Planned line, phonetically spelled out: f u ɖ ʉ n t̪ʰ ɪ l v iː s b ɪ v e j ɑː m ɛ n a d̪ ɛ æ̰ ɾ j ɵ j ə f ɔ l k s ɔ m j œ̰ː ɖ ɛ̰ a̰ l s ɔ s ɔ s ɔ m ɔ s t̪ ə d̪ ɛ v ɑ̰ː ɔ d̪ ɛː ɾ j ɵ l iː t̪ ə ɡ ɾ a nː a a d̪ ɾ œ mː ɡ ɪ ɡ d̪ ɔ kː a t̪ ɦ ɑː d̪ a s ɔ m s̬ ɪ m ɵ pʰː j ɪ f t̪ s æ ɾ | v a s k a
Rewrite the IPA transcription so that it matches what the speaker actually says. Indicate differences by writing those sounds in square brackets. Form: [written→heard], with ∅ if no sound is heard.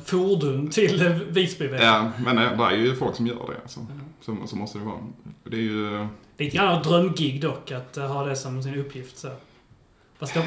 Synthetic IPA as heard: f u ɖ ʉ n t̪ʰ ɪ l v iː s b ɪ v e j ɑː m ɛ n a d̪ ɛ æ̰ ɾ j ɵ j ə f ɔ l k s ɔ m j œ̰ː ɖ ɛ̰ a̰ l s ɔ s ɔ s ɔ m ɔ s t̪ ə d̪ ɛ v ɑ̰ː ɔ d̪ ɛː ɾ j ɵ l iː t̪ ə ɡ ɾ a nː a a d̪ ɾ œ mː ɡ ɪ ɡ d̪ ɔ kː a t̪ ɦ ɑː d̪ [a→ɛ] s ɔ m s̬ ɪ [m→n] ɵ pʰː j ɪ f t̪ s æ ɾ | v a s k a